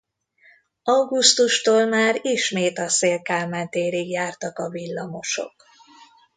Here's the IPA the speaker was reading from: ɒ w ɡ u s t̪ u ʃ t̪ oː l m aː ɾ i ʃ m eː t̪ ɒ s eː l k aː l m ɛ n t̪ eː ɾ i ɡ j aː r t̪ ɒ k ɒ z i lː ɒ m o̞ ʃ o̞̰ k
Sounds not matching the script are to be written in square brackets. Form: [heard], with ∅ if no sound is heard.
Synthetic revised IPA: ɒ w ɡ u s t̪ u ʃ t̪ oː l m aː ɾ i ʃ m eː t̪ ɒ s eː l k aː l m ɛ n t̪ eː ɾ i ɡ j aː r t̪ ɒ k ɒ [v] i lː ɒ m o̞ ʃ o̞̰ k